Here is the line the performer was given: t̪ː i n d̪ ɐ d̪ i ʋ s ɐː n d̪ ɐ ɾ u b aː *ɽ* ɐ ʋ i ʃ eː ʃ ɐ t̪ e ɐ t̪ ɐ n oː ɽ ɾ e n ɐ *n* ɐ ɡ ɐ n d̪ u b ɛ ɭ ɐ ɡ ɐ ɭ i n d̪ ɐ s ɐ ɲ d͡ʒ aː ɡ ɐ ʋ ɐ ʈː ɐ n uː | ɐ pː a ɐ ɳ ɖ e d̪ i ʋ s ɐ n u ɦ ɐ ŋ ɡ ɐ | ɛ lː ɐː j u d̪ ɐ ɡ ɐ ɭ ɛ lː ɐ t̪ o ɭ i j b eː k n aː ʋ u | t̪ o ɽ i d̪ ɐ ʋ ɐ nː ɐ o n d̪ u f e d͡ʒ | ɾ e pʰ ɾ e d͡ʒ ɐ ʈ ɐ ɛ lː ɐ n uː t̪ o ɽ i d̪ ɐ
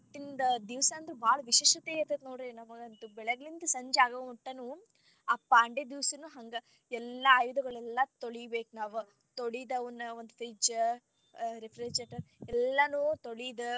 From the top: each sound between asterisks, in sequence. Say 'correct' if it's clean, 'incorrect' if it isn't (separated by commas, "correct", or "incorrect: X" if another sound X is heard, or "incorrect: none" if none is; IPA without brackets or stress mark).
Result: incorrect: ɭ, incorrect: m